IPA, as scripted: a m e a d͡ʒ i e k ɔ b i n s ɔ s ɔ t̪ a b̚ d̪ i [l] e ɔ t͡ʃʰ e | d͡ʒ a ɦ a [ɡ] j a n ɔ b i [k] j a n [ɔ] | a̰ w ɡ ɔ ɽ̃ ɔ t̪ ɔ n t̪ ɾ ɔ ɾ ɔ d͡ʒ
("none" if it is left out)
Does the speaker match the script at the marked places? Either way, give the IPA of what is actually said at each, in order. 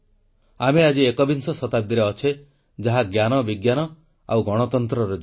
ɾ, ɡ, ɡ, ɔ

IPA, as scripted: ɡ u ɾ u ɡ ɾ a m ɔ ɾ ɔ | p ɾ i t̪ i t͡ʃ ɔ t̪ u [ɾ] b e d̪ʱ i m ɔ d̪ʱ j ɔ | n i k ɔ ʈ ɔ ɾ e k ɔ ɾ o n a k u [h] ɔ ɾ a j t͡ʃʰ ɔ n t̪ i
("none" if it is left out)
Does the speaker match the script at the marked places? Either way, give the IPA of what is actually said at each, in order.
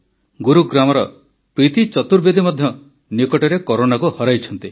ɾ, h

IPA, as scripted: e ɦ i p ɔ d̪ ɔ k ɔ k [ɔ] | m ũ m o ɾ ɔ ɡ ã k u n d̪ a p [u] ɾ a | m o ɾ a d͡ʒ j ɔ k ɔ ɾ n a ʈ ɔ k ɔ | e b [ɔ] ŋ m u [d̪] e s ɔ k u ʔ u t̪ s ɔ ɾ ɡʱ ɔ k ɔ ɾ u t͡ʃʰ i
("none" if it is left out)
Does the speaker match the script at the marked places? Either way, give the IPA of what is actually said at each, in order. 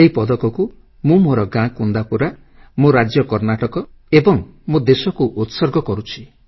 u, u, ɔ, d̪

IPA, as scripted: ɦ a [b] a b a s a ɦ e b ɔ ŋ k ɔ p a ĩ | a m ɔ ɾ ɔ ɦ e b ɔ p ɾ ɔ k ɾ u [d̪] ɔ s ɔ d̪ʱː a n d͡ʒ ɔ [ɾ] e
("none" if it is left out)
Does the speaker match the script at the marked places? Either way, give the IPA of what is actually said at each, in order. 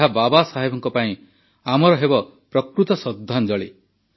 b, t̪, ɭ

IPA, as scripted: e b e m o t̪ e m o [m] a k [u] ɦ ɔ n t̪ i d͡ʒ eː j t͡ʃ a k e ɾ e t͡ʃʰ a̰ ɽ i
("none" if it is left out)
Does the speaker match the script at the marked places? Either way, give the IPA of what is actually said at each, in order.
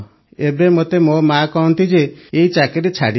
m, ɔ

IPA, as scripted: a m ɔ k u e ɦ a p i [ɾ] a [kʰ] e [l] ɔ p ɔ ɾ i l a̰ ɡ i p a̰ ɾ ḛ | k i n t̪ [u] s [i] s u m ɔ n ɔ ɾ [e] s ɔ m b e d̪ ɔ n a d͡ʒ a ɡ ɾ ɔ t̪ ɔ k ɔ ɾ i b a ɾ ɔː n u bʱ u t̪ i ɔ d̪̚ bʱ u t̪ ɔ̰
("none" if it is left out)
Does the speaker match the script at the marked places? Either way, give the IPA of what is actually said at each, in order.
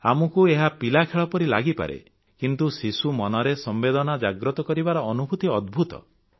l, kʰ, ɭ, u, i, e

